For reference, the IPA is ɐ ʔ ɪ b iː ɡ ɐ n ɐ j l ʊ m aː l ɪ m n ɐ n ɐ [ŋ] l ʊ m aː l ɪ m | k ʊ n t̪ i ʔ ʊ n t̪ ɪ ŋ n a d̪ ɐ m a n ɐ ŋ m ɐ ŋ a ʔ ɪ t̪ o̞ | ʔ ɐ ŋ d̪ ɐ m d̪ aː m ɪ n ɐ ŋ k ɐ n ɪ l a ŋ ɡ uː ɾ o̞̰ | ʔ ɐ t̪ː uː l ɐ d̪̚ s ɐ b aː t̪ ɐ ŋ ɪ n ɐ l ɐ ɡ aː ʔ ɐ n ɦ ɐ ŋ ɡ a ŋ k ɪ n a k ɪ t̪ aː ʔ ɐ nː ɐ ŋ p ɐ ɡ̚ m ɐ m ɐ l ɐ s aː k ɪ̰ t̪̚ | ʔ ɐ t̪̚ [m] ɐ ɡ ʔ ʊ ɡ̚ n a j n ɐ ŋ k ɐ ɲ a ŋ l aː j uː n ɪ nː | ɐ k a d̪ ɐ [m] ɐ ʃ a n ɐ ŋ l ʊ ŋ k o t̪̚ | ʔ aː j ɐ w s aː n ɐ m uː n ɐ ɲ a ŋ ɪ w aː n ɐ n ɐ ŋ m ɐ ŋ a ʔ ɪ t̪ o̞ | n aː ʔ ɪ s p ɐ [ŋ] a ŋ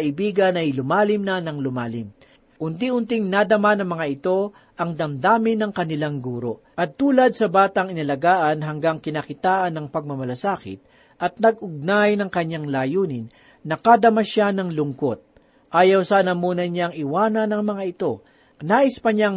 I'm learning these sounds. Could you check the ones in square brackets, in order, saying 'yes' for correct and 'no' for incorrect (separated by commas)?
yes, no, yes, no